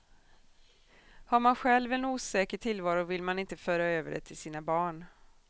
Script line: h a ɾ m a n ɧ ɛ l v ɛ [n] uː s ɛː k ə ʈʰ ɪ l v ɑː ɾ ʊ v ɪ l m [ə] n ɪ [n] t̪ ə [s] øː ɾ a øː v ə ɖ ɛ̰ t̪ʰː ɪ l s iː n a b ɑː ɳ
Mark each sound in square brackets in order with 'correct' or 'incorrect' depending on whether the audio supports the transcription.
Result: correct, incorrect, correct, incorrect

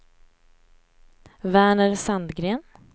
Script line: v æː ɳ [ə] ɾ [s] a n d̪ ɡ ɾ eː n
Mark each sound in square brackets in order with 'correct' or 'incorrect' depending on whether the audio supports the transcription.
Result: correct, correct

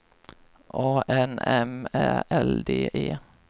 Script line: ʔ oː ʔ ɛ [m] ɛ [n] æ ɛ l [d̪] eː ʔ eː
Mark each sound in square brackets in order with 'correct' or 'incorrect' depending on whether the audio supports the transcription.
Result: incorrect, incorrect, correct

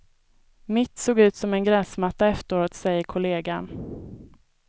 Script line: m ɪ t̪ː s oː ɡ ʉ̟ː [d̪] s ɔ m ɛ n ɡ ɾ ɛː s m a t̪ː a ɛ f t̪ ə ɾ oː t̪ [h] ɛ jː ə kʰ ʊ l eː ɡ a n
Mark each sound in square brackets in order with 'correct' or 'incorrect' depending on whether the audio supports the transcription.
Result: incorrect, incorrect

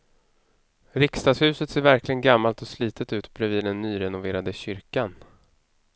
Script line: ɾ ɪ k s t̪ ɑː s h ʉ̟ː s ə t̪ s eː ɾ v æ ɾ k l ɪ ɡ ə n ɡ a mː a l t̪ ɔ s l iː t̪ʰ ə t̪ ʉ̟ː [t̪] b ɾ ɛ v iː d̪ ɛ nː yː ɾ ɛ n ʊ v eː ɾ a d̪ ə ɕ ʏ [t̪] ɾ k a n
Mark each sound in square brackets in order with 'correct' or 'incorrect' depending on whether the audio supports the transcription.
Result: correct, incorrect

